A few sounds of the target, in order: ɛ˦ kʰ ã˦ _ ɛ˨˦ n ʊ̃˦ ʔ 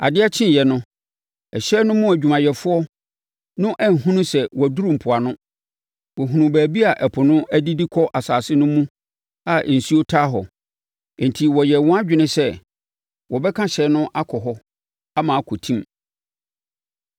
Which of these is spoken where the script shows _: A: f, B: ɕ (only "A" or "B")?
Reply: B